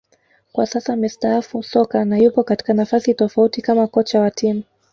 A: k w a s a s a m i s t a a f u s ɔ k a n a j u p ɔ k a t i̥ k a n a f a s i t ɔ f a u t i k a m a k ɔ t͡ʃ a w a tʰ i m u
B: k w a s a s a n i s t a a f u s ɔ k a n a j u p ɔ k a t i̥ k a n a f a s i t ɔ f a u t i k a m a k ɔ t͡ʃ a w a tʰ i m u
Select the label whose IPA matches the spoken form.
A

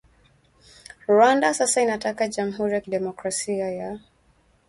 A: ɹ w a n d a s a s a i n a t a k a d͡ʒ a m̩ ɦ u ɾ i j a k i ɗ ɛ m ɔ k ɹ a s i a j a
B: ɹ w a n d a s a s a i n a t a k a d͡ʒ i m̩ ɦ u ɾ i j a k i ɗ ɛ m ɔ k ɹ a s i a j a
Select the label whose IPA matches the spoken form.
A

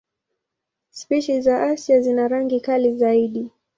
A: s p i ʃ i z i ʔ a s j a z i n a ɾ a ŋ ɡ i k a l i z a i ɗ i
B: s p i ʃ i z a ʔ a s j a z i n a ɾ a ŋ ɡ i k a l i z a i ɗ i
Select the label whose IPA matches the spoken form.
B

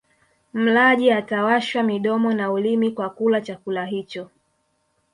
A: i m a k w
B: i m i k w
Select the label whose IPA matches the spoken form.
B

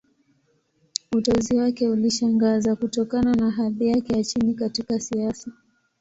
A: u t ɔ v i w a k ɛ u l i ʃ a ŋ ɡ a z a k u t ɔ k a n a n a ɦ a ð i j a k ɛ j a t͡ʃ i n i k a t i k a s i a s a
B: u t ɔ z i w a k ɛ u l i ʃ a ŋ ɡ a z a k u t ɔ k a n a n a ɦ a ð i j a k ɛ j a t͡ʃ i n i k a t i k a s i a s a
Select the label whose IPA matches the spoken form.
B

